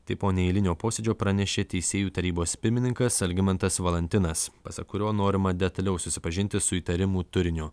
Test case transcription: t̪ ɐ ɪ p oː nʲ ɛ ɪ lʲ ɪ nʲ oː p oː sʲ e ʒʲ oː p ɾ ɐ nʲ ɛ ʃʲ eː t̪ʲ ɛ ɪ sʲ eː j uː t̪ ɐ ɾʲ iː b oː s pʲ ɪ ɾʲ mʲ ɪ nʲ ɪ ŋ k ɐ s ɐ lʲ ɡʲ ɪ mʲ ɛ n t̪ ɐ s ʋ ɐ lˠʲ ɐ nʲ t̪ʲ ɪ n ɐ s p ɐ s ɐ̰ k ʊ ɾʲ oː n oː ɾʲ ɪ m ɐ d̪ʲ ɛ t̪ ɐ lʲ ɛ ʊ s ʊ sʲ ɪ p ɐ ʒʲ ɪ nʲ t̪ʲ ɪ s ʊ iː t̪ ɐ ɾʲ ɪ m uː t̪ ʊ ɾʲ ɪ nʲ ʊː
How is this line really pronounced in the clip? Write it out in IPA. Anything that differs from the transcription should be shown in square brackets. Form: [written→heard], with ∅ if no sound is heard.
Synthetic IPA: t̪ ɐ ɪ p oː nʲ ɛ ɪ lʲ ɪ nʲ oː p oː sʲ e [ʒʲ→d͡ʒʲ] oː p ɾ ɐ nʲ ɛ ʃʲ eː t̪ʲ ɛ ɪ sʲ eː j uː t̪ ɐ ɾʲ iː b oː s pʲ ɪ ɾʲ mʲ ɪ nʲ ɪ ŋ k ɐ s ɐ lʲ ɡʲ ɪ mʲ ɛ n t̪ ɐ s ʋ ɐ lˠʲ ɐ nʲ t̪ʲ ɪ n ɐ s p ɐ s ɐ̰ k ʊ ɾʲ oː n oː ɾʲ ɪ m ɐ d̪ʲ ɛ t̪ ɐ lʲ ɛ ʊ s ʊ sʲ ɪ p ɐ ʒʲ ɪ nʲ t̪ʲ ɪ s ʊ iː t̪ ɐ ɾʲ ɪ m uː t̪ ʊ ɾʲ ɪ nʲ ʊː